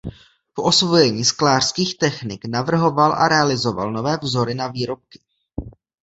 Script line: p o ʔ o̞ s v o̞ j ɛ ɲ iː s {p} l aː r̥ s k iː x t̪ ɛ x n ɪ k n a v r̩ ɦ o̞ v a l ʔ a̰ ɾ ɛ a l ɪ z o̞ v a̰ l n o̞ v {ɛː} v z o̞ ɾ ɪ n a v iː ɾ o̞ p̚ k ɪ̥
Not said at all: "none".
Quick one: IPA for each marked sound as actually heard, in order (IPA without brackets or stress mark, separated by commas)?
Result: k, ɛː